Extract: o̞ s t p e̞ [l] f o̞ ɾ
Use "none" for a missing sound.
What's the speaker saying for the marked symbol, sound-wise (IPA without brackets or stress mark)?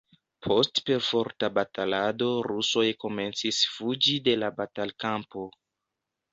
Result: ɾ